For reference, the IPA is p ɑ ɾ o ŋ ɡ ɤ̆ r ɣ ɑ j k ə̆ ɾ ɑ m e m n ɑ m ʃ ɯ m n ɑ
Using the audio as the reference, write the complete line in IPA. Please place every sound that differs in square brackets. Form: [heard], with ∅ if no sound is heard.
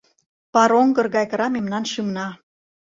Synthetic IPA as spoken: p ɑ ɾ o ŋ ɡ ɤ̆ r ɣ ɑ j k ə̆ ɾ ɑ m e m n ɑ [n] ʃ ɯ m n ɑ